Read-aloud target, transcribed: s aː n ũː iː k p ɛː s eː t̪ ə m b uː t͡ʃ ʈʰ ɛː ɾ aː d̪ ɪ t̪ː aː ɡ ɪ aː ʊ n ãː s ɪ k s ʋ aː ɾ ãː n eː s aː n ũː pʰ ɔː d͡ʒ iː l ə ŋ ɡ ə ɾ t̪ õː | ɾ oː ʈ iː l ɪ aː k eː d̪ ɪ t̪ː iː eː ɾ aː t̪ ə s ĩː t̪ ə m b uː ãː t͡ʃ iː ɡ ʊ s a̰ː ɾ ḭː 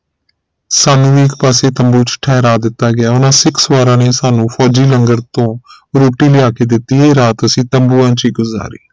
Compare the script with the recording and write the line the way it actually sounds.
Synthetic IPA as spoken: s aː n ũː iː k p aː s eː t̪ ə m b uː t͡ʃ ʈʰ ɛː ɾ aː d̪ ɪ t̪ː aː ɡ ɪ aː ʊ n ãː s ɪ k s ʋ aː ɾ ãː n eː s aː n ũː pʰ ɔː d͡ʒ iː l ə ŋ ɡ ə ɾ t̪ õː | ɾ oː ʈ iː l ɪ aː k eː d̪ ɪ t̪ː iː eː ɾ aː t̪ ə s ĩː t̪ ə m b uː ãː t͡ʃ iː ɡ ʊ z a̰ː ɾ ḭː

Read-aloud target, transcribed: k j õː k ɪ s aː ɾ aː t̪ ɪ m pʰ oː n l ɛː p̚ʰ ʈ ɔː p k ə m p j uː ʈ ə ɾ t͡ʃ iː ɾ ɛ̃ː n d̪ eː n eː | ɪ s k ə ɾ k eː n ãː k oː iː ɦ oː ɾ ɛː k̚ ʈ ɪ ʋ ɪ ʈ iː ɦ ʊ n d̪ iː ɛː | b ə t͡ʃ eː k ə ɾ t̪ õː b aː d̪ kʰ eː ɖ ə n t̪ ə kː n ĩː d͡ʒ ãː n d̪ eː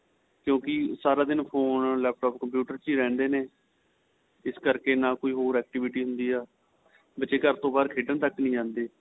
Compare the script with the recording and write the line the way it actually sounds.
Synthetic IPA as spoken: k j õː k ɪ s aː ɾ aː d̪ ɪ n pʰ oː n l ɛː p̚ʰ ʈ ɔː p k ə m p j uː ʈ ə ɾ t͡ʃ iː ɾ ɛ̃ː n d̪ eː n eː | ɪ s k ə ɾ k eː n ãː k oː iː ɦ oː ɾ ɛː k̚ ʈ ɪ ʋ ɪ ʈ iː ɦ ʊ n d̪ iː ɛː | b ə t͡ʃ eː k ə ɾ t̪ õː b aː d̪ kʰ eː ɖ ə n t̪ ə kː n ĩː d͡ʒ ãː n d̪ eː

